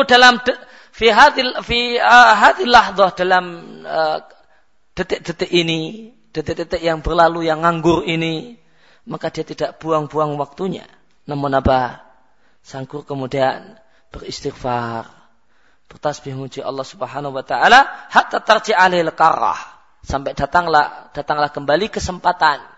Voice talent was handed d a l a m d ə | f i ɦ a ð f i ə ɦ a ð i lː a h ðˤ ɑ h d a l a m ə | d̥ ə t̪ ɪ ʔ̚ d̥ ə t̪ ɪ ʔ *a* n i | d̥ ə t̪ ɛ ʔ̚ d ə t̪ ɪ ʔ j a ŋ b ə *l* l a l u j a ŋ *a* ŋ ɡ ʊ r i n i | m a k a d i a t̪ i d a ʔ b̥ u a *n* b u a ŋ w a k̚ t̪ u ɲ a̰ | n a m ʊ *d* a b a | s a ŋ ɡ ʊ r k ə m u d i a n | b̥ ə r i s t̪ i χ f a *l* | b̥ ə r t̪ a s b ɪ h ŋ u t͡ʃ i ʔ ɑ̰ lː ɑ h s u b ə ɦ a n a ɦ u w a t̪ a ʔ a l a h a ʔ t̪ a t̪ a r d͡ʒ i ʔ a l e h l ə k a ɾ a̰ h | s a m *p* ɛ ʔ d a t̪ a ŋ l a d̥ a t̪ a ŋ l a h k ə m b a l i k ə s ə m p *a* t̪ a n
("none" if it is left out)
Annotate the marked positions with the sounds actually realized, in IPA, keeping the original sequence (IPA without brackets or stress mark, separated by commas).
i, r, a, ŋ, n, r, p, a